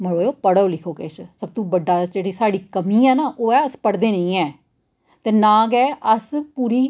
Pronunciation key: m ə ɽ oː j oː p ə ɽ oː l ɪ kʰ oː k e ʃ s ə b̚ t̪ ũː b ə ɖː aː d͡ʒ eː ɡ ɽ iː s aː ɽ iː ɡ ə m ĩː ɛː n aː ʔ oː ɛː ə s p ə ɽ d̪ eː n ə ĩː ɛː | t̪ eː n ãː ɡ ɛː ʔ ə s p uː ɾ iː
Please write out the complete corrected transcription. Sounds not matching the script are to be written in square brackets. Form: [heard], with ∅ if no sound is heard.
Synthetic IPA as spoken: m ə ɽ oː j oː p ə ɽ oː l ɪ kʰ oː k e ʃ s ə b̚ t̪ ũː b ə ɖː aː d͡ʒ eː [∅] ɽ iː s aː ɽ iː [k] ə m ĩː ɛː n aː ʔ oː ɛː ə s p ə ɽ d̪ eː n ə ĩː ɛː | t̪ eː n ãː ɡ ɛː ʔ ə s p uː ɾ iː